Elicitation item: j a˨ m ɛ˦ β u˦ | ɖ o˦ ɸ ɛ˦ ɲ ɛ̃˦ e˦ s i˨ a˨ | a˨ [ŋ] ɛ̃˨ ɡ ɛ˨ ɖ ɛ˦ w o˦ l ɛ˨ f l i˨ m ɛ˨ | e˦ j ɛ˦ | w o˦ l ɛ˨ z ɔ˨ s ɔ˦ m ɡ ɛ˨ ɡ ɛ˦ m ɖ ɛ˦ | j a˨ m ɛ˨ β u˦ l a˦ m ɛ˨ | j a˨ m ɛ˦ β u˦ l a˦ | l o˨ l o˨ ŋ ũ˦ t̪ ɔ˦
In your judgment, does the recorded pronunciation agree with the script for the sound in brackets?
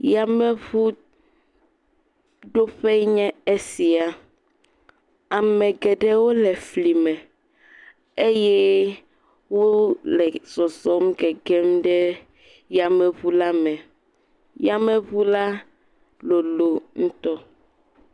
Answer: no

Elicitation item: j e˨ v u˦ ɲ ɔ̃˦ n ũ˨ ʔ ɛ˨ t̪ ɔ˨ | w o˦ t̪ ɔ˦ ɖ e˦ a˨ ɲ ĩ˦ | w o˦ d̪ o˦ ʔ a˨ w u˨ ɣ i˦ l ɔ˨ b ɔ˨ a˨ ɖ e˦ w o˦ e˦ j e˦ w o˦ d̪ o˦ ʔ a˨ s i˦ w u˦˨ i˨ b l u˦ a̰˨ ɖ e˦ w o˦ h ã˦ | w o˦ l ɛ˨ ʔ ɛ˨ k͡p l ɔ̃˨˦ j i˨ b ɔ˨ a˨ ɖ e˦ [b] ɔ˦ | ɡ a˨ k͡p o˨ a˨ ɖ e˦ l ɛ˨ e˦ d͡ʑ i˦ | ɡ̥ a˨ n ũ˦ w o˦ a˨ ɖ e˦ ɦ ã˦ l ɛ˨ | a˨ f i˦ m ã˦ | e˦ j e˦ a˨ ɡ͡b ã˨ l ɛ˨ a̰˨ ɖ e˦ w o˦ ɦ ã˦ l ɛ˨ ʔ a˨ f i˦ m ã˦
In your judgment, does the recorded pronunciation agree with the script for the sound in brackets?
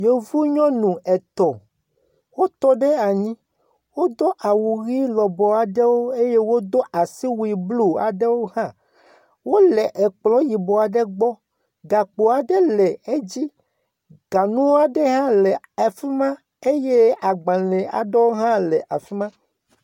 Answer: no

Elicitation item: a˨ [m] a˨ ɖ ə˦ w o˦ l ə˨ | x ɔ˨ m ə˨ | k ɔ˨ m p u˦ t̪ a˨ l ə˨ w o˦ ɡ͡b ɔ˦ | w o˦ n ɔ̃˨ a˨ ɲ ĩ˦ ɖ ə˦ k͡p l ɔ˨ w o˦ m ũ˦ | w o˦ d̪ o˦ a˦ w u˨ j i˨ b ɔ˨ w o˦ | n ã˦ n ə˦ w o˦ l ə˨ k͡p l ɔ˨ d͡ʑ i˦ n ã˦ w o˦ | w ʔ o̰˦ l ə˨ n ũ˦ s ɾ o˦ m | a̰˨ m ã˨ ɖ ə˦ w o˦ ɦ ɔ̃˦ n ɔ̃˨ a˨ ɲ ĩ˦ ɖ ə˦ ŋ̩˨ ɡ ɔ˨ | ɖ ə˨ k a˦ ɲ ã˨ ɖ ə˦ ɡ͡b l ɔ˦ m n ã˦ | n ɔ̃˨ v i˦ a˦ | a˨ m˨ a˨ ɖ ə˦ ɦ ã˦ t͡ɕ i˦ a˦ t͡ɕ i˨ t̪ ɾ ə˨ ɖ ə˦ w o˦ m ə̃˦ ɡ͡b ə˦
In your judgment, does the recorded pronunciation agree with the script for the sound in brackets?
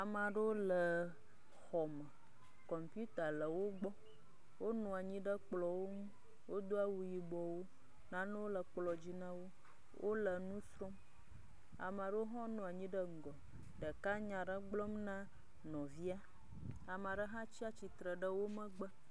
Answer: yes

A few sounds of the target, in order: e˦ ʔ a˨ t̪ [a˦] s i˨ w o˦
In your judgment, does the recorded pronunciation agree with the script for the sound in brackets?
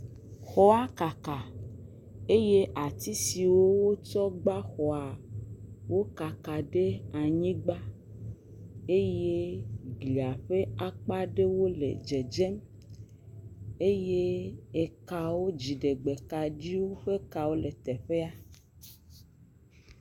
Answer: no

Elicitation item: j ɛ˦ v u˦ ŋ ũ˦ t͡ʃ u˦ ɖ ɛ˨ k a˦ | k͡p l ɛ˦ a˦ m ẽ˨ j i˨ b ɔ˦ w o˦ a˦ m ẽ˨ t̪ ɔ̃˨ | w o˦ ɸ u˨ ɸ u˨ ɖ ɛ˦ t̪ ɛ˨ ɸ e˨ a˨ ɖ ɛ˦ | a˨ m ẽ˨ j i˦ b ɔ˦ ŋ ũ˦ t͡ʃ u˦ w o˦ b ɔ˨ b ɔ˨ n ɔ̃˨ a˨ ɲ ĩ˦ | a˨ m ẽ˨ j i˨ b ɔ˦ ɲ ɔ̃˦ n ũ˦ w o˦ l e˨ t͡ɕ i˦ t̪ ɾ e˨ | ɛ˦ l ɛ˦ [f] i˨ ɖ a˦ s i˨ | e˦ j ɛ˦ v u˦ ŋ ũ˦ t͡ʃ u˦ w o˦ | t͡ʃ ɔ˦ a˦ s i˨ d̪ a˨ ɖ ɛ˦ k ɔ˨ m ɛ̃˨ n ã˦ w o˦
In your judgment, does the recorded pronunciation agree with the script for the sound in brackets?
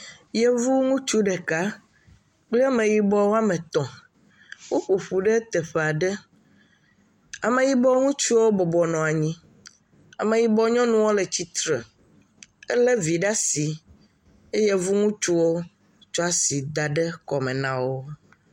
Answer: no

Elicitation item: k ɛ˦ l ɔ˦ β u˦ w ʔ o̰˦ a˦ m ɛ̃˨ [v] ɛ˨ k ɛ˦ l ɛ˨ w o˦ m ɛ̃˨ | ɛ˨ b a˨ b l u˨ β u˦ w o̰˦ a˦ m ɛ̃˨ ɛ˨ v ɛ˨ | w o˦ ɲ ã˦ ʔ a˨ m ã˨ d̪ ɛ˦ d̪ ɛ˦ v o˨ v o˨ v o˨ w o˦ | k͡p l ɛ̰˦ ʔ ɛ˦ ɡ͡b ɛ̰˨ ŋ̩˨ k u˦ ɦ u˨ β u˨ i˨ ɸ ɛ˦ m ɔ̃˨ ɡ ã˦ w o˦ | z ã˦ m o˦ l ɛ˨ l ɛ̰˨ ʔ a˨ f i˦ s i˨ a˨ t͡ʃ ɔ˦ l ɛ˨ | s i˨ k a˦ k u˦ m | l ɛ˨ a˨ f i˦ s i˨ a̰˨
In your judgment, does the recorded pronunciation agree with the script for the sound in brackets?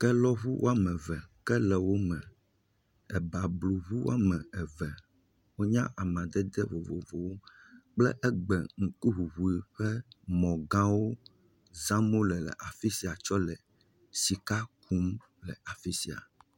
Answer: yes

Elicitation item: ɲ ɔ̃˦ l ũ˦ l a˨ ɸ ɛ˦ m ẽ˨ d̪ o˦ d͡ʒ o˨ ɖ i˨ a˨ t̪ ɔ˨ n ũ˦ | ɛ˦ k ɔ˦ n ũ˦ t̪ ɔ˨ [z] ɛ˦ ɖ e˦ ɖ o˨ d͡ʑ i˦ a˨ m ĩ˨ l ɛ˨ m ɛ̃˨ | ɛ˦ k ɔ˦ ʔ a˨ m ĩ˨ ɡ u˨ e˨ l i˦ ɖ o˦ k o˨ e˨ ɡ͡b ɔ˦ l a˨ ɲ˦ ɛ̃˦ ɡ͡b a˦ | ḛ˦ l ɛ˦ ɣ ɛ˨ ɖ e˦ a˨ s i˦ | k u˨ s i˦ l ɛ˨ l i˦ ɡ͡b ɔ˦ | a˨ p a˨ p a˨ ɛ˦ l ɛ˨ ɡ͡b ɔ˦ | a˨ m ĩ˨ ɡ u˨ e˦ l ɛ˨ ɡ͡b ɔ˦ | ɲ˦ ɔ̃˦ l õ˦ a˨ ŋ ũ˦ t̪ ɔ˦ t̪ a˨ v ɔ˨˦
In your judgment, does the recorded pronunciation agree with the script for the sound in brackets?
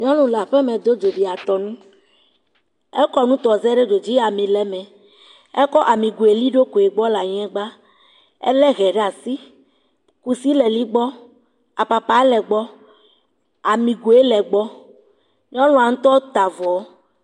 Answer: yes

